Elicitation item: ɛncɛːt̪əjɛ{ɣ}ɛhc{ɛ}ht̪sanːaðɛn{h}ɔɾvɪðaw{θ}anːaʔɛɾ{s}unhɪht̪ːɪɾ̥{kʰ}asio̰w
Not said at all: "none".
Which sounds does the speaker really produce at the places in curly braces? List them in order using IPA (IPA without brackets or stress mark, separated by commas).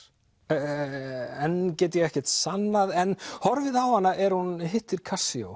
ɣ, ɛ, h, h, h, kʰ